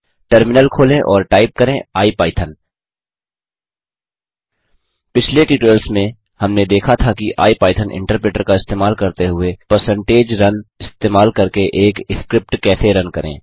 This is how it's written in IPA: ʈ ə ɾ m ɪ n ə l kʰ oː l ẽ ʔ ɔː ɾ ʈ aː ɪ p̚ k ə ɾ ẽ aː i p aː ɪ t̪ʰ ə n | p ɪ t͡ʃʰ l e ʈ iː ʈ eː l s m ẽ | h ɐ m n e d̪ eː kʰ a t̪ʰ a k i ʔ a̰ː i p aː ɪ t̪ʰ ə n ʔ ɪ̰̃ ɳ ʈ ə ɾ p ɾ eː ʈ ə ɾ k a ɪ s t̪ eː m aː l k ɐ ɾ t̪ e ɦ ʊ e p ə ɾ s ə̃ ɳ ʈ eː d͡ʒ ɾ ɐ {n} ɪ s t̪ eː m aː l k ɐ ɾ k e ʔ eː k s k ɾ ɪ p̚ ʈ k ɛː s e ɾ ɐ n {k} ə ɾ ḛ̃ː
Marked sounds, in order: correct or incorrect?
correct, correct

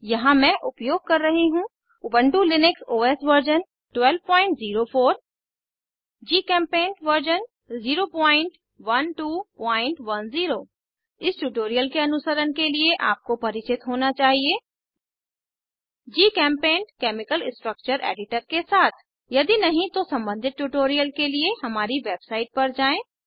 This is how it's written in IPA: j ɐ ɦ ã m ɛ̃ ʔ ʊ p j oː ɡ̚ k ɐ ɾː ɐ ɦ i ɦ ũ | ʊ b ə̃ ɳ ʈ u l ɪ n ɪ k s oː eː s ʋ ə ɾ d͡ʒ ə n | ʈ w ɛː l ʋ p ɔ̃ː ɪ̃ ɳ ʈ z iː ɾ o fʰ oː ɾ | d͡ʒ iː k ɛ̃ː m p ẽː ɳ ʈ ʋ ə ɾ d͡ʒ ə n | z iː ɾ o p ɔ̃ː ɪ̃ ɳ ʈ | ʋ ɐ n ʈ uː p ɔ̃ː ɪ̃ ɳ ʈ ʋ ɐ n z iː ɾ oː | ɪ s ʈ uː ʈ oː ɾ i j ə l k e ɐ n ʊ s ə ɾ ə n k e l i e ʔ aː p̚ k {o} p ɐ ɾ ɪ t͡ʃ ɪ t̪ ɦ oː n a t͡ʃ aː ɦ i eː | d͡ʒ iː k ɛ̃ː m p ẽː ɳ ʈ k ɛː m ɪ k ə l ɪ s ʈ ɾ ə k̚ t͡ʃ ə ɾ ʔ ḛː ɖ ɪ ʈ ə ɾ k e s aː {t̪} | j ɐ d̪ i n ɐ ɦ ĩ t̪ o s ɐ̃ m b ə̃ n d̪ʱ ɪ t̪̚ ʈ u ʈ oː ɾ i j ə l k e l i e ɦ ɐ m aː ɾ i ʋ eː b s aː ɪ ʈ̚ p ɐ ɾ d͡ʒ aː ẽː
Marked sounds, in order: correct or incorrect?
correct, incorrect: t̪ʰ

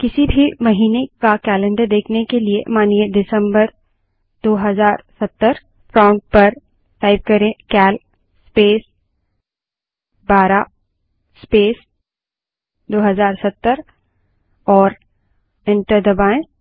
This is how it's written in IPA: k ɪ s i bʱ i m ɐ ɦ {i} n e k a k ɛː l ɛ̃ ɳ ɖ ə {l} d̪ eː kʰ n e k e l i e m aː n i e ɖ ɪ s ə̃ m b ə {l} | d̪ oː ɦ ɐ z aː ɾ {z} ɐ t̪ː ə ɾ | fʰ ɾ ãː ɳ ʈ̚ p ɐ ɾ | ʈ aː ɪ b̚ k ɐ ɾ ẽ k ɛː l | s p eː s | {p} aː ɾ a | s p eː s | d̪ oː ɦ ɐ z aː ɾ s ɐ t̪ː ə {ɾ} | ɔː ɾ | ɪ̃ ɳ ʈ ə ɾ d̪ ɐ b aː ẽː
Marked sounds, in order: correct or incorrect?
incorrect: iː, incorrect: ɾ, incorrect: ɾ, incorrect: s, incorrect: b, correct

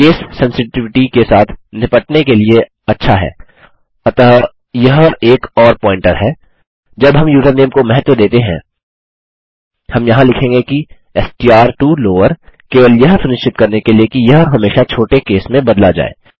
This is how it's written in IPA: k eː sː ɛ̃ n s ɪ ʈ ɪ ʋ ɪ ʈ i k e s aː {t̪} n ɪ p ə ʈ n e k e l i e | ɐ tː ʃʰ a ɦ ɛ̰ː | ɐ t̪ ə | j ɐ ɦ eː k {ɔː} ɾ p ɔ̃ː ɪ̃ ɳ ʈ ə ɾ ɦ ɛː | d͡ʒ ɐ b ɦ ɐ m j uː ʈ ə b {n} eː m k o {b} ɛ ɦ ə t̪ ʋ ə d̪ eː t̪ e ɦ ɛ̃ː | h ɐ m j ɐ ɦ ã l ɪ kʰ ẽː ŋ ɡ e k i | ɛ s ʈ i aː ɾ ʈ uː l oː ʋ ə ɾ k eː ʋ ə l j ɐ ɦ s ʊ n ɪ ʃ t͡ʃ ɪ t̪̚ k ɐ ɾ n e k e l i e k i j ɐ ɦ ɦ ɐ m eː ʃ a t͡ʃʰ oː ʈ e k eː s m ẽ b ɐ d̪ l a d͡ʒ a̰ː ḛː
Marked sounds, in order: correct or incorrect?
incorrect: t̪ʰ, correct, correct, incorrect: m

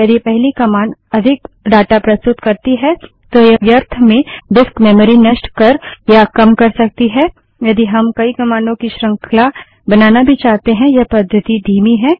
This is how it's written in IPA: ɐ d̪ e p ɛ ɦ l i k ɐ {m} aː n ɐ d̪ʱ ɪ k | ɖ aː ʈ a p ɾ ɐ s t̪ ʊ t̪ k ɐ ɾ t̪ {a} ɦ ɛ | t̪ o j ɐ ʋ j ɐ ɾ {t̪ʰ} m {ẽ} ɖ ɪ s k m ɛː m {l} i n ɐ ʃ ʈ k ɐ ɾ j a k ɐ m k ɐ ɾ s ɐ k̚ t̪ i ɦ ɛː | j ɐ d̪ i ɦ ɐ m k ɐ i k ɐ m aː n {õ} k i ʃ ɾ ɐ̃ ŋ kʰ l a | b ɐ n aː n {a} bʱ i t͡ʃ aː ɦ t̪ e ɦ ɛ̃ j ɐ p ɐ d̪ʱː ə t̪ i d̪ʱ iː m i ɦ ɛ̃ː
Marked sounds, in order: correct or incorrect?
correct, incorrect: i, correct, correct, incorrect: ɾ, correct, correct

